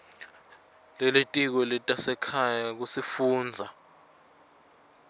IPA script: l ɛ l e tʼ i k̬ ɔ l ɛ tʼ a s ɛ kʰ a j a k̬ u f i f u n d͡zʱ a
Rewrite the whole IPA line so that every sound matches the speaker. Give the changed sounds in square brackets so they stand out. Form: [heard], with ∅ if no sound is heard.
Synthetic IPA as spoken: l ɛ l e tʼ i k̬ ɔ l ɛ tʼ a s ɛ kʰ a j a k̬ u [s] i f [uː] n d͡zʱ a